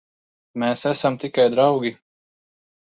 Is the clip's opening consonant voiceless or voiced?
voiced